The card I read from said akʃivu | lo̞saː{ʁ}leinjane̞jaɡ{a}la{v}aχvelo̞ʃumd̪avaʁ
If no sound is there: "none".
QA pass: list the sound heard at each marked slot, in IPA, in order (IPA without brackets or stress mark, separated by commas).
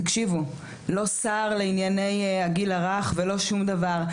ʁ, i, ʁ